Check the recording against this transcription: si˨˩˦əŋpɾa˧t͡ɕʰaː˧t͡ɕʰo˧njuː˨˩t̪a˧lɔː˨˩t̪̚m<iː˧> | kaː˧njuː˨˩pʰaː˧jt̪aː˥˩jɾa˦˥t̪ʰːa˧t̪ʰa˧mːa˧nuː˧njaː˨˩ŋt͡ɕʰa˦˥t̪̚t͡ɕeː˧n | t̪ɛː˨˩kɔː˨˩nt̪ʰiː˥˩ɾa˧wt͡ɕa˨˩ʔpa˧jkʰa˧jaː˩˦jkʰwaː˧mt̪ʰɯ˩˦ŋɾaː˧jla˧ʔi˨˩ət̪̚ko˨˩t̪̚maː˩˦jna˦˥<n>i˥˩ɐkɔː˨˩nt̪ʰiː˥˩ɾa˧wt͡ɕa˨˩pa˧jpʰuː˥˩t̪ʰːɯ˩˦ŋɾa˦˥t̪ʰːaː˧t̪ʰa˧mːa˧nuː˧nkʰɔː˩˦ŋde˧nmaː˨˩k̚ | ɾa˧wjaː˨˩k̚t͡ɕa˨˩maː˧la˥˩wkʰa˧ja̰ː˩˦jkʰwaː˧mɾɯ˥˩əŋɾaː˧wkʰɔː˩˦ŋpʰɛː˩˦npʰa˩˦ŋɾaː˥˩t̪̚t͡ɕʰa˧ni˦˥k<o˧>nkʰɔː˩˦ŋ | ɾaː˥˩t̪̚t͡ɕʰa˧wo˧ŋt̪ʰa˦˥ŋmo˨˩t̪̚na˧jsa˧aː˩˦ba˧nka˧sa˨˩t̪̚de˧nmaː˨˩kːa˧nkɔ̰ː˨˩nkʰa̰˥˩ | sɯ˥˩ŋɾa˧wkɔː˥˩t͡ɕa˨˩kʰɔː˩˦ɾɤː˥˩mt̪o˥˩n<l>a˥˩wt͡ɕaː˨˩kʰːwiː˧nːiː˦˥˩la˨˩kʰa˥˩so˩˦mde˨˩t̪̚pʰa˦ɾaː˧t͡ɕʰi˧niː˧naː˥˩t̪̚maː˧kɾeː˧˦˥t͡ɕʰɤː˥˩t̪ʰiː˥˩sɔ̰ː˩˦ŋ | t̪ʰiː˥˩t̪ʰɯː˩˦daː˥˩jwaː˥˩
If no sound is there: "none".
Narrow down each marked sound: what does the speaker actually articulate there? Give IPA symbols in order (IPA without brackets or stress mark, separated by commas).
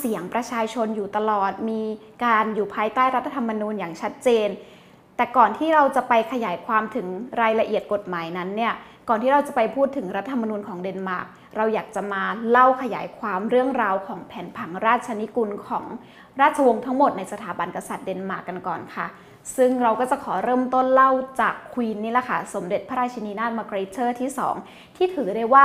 iː˧, nː, u˧, l